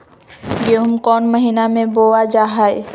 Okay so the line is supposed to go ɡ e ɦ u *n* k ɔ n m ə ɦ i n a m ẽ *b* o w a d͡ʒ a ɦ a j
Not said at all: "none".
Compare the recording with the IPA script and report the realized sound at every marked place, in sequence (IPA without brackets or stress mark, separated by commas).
m, b